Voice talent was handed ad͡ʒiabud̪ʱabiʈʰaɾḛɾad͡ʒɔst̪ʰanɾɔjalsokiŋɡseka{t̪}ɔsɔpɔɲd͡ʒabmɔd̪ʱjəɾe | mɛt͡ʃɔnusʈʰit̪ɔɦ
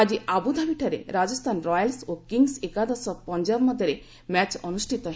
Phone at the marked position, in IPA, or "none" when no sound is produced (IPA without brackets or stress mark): d̪